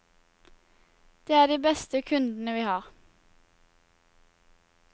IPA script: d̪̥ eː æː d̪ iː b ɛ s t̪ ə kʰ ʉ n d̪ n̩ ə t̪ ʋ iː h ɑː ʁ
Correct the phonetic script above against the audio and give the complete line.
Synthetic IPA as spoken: d̪̥ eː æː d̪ iː b ɛ s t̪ ə kʰ ʉ n d̪ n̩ ə ʋ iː h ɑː ʁ